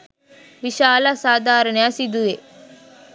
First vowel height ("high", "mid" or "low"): high